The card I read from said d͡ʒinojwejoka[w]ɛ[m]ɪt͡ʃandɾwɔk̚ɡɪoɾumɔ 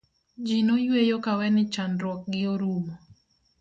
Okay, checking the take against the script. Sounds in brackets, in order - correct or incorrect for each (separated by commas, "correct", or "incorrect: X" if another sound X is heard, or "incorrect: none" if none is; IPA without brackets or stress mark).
correct, incorrect: n